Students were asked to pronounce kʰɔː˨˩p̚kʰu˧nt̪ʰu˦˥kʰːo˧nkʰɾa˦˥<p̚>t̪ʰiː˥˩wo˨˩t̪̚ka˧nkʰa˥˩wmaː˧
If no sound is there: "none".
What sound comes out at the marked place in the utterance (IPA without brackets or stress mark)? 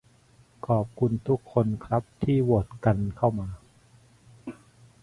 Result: p̚